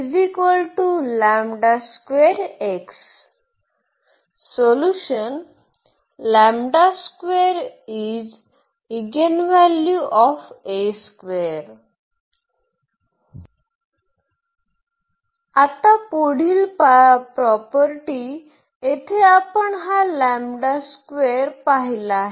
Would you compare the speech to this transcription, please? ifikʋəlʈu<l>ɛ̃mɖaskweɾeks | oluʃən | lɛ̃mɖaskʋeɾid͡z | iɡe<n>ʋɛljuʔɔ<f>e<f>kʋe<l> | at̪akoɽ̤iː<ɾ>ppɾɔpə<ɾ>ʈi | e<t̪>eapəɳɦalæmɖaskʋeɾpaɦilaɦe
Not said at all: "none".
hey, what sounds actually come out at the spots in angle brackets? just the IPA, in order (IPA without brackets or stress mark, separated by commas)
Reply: l, n, f, s, ɾ, l, ɾ, t̪ʰ